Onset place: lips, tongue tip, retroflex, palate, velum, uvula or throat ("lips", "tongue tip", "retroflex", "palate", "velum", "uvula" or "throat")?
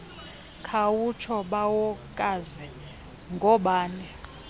velum